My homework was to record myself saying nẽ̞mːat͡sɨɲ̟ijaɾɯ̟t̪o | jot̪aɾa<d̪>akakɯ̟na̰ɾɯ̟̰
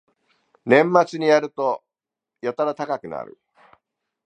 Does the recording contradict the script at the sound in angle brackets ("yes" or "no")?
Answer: yes